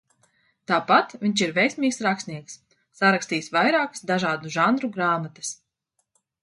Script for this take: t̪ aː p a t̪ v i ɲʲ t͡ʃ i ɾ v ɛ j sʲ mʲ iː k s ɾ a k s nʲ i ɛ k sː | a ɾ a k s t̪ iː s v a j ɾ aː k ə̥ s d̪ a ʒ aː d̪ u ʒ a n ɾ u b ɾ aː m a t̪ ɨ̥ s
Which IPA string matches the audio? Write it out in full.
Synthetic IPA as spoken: t̪ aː p a t̪ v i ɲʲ t͡ʃ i ɾ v ɛ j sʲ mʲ iː k s ɾ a k s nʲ i ɛ k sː | a ɾ a k s t̪ iː s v a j ɾ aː k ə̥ s d̪ a ʒ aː d̪ u ʒ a n ɾ u ɡ ɾ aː m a t̪ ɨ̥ s

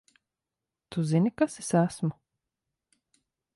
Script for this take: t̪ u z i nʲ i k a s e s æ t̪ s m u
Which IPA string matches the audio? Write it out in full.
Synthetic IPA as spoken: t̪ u z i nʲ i k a s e s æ s m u

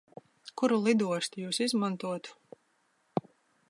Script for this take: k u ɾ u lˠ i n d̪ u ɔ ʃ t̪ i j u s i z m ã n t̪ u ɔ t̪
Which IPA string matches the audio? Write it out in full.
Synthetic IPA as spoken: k u ɾ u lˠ i d̪ u ɔ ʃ t̪ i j uː s i z m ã n t̪ u ɔ t̪

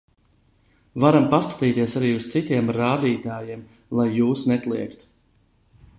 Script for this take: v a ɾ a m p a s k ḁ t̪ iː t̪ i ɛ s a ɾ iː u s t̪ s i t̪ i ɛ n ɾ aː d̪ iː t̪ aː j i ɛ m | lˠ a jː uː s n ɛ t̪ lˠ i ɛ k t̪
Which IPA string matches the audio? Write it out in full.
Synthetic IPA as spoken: v a ɾ a m p a s k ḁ t̪ iː t̪ i ɛ s a ɾ iː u s t̪ s i t̪ i ɛ m ɾ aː d̪ iː t̪ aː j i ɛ m | lˠ a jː uː s n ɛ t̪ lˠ i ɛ k t̪

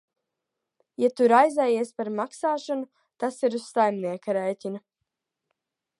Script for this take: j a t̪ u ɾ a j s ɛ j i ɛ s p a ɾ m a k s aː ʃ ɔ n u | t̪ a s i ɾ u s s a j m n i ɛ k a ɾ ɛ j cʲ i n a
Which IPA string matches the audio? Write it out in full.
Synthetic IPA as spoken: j a t̪ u ɾ a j z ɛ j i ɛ s p a ɾ m a k s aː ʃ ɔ n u | t̪ a s i ɾ u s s a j m n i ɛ k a ɾ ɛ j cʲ i n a

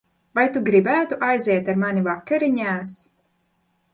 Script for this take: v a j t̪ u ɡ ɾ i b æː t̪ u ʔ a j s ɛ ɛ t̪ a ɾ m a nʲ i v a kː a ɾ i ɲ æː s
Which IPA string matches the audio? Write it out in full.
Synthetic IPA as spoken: v a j t̪ u ɡ ɾ i b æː t̪ u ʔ a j z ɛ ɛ t̪ a ɾ m a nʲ i v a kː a ɾ i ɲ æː s

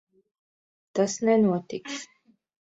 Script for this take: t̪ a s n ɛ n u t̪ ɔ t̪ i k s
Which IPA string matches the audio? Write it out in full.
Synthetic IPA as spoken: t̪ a s n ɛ n u ɔ t̪ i k s

